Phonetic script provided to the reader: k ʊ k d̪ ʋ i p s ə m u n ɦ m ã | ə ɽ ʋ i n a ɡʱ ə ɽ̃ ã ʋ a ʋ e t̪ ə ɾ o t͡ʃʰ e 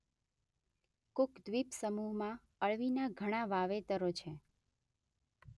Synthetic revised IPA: k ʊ k d̪ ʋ i p s ə m u ɦ m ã | ə ɭ ʋ i n a ɡʱ ə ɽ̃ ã ʋ a ʋ e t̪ ə ɾ o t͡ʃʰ e